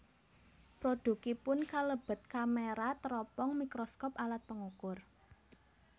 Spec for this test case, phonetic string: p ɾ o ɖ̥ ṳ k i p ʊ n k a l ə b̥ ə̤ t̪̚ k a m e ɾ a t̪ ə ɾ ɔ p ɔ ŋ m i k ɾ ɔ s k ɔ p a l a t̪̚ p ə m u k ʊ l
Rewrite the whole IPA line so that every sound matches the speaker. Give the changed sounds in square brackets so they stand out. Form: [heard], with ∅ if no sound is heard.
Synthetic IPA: p ɾ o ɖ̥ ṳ k i p ʊ n k a l ə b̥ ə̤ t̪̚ k a m e ɾ a t̪ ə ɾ ɔ p ɔ ŋ m i k ɾ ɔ s k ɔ p a l a t̪̚ p ə [ŋ] u k ʊ [r]